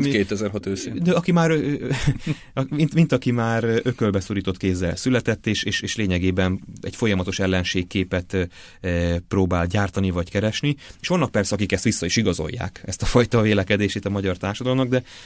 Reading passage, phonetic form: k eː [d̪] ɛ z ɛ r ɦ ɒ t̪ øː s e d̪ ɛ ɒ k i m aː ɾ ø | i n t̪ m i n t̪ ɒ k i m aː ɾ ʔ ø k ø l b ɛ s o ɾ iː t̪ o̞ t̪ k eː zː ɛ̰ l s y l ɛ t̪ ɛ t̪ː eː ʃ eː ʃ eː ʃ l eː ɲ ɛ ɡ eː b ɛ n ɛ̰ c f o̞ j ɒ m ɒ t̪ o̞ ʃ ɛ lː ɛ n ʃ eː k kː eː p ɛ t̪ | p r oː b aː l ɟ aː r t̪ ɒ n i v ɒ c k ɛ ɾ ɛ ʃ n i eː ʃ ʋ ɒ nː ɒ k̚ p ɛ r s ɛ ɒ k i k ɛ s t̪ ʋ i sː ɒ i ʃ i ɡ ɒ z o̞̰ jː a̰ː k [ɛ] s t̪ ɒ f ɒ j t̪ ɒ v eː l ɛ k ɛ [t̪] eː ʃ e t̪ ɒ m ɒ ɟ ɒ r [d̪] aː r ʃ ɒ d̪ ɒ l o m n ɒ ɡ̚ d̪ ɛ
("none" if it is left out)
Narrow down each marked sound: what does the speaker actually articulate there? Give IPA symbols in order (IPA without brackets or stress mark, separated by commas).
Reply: t̪, ɛ, d̪, t̪